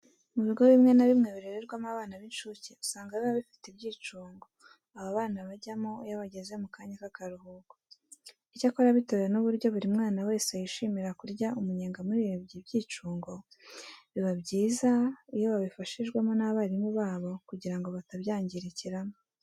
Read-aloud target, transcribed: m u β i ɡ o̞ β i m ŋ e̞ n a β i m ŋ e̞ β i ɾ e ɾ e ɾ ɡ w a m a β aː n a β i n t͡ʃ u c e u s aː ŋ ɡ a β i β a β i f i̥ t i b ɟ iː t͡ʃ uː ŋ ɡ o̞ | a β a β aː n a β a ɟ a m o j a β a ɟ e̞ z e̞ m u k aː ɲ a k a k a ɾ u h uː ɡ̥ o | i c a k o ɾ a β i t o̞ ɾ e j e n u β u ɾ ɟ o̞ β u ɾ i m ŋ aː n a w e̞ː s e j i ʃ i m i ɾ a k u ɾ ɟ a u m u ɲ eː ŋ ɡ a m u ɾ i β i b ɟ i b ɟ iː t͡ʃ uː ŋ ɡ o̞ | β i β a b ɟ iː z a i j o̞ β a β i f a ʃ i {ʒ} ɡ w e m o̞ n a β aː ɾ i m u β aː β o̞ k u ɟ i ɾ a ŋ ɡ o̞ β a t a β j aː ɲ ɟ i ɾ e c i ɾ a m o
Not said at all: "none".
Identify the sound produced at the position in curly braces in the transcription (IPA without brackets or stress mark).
ʒ